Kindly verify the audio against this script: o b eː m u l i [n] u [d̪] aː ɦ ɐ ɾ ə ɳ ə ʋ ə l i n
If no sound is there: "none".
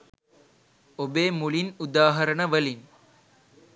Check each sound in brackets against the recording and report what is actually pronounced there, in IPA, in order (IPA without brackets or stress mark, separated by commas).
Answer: n, d̪